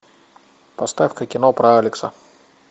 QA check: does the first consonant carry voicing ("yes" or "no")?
no